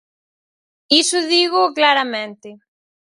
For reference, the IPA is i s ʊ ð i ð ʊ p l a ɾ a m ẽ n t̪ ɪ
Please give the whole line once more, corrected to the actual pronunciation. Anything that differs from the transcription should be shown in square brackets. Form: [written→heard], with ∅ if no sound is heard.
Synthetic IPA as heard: i s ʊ ð i [ð→ɣ] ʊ [p→k] l a ɾ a m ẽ n t̪ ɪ